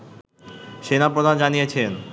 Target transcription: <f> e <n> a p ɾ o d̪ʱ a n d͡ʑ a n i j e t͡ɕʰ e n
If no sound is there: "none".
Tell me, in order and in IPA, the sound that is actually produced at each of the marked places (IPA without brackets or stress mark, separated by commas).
ʃ, n